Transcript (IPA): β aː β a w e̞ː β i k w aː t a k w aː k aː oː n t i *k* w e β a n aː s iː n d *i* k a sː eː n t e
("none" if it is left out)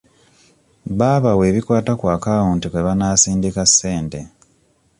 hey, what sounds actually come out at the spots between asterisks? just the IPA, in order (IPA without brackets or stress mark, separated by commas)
k, i